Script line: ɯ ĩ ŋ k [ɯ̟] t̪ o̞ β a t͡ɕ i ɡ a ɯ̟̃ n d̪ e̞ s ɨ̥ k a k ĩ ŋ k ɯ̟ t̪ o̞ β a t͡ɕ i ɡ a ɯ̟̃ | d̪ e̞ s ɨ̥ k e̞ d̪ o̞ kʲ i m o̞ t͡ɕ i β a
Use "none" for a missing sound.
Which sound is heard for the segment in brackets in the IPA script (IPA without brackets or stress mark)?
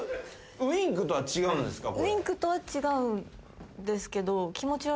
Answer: ɯ̟